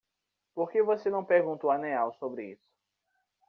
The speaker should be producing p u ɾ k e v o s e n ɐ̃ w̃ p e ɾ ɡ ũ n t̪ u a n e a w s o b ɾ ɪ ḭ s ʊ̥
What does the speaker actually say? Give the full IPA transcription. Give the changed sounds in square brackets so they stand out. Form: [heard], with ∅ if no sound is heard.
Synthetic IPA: p [o] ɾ k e v o s e n ɐ̃ w̃ p e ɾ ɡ ũ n t̪ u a n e a w s o b ɾ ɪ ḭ s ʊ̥